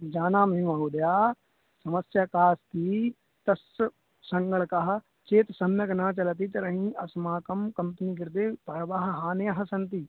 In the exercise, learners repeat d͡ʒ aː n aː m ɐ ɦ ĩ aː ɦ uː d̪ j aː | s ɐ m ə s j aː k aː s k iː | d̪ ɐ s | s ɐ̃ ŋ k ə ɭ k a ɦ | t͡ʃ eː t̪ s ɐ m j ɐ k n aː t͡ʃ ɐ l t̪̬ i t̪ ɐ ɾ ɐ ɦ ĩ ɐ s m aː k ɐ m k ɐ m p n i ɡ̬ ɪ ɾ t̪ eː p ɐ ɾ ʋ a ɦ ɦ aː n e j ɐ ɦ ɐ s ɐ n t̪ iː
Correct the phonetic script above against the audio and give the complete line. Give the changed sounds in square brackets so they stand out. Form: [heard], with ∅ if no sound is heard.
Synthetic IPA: d͡ʒ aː n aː m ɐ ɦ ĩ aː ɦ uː d̪ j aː | s ɐ m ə s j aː k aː s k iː | [t̪] ɐ s | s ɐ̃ ŋ [ɡ] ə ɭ k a ɦ | t͡ʃ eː t̪ s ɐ m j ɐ k n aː t͡ʃ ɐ l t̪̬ i t̪ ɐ ɾ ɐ ɦ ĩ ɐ s m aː k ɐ m k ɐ m p n i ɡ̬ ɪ ɾ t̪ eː p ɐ ɾ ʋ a ɦ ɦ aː n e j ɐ ɦ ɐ s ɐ n t̪ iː

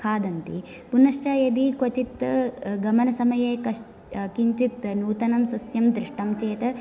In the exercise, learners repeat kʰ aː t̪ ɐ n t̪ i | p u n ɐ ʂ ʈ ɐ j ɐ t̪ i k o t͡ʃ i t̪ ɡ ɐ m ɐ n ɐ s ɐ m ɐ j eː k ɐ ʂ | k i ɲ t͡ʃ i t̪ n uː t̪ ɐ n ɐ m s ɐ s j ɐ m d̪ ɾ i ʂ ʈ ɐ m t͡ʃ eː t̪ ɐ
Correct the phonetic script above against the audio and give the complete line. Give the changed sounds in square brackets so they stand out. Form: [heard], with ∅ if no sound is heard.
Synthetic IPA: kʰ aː [d̪] ɐ n t̪ i | p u n ɐ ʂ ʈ ɐ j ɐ [d̪] i k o t͡ʃ i t̪ ɡ ɐ m ɐ n ɐ s ɐ m ɐ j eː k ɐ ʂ | k i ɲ t͡ʃ i t̪ n uː t̪ ɐ n ɐ m s ɐ s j ɐ m d̪ ɾ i ʂ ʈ ɐ m t͡ʃ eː t̪ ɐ

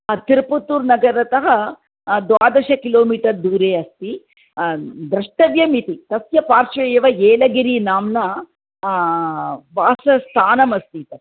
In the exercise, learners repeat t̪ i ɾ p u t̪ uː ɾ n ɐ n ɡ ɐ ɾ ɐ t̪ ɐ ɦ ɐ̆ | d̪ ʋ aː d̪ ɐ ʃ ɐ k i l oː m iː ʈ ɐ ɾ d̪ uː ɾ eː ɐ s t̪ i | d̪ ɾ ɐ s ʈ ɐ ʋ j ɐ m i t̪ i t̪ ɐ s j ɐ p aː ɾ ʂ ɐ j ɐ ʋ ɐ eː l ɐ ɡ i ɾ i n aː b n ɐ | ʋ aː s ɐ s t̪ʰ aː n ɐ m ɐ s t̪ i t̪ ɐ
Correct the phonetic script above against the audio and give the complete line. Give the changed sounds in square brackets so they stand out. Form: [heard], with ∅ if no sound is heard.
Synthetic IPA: t̪ i ɾ p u t̪ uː ɾ n ɐ [∅] ɡ ɐ ɾ ɐ t̪ ɐ ɦ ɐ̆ | d̪ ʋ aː d̪ ɐ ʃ ɐ k i l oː m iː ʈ ɐ ɾ d̪ uː ɾ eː ɐ s t̪ i | d̪ ɾ ɐ [ʂ] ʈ ɐ ʋ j ɐ m i t̪ i t̪ ɐ s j ɐ p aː ɾ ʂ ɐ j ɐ ʋ ɐ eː l ɐ ɡ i ɾ i n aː [m] n ɐ | ʋ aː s ɐ s t̪ʰ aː n ɐ m ɐ s t̪ i t̪ ɐ

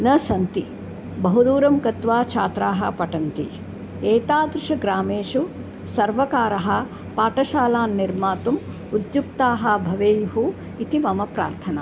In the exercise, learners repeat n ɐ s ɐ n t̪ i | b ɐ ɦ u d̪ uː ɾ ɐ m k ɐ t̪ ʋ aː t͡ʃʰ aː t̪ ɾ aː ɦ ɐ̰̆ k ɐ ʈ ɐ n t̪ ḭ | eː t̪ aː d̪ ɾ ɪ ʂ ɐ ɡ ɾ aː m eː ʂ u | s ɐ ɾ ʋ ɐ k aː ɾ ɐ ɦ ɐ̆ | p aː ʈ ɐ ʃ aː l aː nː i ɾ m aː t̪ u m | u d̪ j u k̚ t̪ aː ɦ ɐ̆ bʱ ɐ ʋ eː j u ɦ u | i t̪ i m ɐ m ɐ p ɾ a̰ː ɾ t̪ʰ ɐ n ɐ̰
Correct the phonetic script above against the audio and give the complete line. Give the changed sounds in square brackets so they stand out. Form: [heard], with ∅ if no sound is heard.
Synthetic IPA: n ɐ s ɐ n t̪ i | b ɐ ɦ u d̪ uː ɾ ɐ m k ɐ t̪ ʋ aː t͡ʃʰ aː t̪ ɾ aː ɦ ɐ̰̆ [p] ɐ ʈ ɐ n t̪ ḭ | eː t̪ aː d̪ ɾ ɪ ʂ ɐ ɡ ɾ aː m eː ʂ u | s ɐ ɾ ʋ ɐ k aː ɾ ɐ ɦ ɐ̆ | p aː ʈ ɐ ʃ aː l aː nː i ɾ m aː t̪ u m | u d̪ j u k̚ t̪ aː ɦ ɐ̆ bʱ ɐ ʋ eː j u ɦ u | i t̪ i m ɐ m ɐ p ɾ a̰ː ɾ t̪ʰ ɐ n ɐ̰

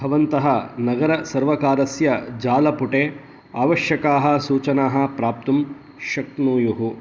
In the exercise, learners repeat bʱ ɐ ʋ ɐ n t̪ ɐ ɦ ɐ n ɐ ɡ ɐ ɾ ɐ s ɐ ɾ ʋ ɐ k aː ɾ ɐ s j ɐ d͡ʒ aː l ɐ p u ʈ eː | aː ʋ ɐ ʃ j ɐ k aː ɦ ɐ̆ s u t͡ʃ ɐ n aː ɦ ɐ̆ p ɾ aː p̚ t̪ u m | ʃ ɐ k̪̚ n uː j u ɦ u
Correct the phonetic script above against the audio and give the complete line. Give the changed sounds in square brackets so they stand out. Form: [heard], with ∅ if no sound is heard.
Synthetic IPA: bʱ ɐ ʋ ɐ n t̪ ɐ ɦ ɐ n ɐ ɡ ɐ ɾ ɐ s ɐ ɾ ʋ ɐ k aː ɾ ɐ s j ɐ d͡ʒ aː l ɐ p u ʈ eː | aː ʋ ɐ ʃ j ɐ k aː ɦ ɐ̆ s [uː] t͡ʃ ɐ n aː ɦ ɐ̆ p ɾ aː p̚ t̪ u m | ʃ ɐ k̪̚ n uː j u ɦ u

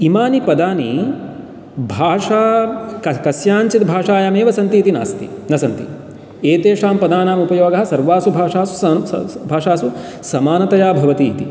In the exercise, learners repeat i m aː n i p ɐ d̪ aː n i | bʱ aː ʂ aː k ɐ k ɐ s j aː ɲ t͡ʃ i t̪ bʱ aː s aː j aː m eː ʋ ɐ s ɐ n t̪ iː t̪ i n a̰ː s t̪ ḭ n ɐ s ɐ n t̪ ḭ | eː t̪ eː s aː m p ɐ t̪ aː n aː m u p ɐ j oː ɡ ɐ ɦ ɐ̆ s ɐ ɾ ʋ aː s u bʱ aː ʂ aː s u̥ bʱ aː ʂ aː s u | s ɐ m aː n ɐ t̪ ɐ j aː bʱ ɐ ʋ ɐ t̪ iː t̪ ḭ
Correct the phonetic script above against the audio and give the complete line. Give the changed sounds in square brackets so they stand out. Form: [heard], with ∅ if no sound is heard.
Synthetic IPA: i m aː n i p ɐ d̪ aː n i | bʱ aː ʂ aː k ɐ k ɐ s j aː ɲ t͡ʃ i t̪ bʱ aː [ʂ] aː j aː m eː ʋ ɐ s ɐ n t̪ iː t̪ i n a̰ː s t̪ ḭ n ɐ s ɐ n t̪ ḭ | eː t̪ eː [ʂ] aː m p ɐ [d̪] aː n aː m u p ɐ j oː ɡ ɐ ɦ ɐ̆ s ɐ ɾ ʋ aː s u bʱ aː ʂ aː s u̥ bʱ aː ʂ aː s u | s ɐ m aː n ɐ t̪ ɐ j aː bʱ ɐ ʋ ɐ t̪ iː t̪ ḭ

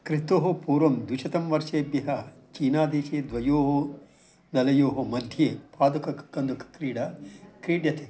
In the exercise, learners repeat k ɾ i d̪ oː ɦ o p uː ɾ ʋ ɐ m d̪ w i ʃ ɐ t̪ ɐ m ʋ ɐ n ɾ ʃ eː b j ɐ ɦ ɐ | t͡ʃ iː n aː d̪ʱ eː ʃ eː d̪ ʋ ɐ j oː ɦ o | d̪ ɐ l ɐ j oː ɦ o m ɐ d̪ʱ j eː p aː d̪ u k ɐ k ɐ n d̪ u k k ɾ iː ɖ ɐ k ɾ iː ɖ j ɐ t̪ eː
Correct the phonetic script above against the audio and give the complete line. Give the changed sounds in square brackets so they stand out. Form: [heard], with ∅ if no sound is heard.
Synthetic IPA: k ɾ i [t̪] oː ɦ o p uː ɾ ʋ ɐ m d̪ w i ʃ ɐ t̪ ɐ m ʋ ɐ [∅] ɾ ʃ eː b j ɐ ɦ ɐ | t͡ʃ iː n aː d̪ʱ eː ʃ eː d̪ ʋ ɐ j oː ɦ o | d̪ ɐ l ɐ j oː ɦ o m ɐ d̪ʱ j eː p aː d̪ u k ɐ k ɐ n d̪ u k k ɾ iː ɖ ɐ k ɾ iː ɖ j ɐ t̪ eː

